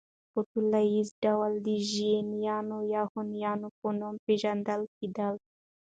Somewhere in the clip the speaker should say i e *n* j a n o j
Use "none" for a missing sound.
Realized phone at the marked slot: n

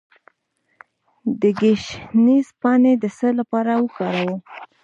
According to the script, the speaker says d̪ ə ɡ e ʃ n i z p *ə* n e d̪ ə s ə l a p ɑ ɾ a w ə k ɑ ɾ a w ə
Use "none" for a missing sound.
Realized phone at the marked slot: ɑ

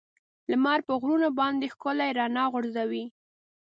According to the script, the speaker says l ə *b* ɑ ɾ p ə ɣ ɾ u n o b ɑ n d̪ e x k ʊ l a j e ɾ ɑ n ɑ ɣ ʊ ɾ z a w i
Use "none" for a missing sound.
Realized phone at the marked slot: m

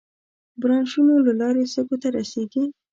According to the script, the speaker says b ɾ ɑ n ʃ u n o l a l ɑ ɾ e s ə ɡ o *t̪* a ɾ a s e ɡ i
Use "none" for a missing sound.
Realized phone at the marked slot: t̪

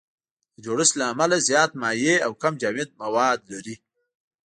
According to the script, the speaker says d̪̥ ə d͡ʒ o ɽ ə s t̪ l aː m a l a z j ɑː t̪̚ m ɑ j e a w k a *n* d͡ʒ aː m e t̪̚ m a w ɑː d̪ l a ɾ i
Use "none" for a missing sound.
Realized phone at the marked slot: m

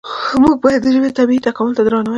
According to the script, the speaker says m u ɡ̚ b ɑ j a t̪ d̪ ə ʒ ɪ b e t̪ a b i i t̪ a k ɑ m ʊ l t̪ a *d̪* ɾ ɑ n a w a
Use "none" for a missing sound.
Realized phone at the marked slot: d̪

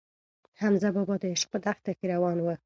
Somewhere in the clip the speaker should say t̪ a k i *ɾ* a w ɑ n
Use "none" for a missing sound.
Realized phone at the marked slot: ɾ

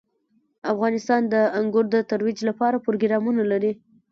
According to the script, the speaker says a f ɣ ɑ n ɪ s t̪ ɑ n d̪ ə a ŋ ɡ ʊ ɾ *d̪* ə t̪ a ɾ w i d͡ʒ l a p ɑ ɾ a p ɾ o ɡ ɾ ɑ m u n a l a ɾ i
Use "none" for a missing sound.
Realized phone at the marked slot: d̪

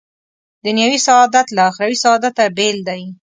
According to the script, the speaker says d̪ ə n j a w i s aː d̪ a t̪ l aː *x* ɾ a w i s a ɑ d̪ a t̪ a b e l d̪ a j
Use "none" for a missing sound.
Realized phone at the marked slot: x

